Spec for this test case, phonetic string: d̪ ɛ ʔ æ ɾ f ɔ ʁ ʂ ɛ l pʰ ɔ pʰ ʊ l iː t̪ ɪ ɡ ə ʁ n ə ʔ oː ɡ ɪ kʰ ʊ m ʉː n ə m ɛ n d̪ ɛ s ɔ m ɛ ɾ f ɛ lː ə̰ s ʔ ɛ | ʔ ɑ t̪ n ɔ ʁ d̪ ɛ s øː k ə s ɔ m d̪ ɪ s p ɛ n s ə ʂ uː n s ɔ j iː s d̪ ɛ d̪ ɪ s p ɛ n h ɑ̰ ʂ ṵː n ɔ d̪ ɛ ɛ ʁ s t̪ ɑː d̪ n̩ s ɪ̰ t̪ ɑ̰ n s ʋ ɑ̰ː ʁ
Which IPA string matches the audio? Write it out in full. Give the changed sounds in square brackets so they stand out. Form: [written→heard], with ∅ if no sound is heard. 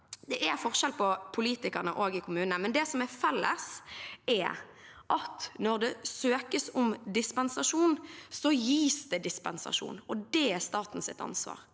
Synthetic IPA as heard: d̪ ɛ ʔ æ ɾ f ɔ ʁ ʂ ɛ l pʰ ɔ pʰ ʊ l iː t̪ ɪ [ɡ→k] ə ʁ n ə ʔ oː ɡ ɪ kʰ ʊ m ʉː n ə m ɛ n d̪ ɛ s ɔ m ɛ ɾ f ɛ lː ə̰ s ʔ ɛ | ʔ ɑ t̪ n ɔ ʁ d̪ ɛ s øː k ə s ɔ m d̪ ɪ s p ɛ n s [ə→ɑ] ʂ uː n s ɔ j iː s d̪ ɛ d̪ ɪ s p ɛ n [h→s] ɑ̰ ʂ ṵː n ɔ d̪ ɛ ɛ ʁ s t̪ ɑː [d̪→t̪] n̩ s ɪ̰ t̪ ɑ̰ n s ʋ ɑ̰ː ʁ